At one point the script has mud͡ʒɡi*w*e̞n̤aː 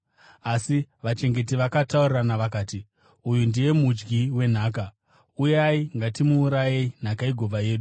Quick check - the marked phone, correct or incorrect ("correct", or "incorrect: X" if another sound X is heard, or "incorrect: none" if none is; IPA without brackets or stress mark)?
correct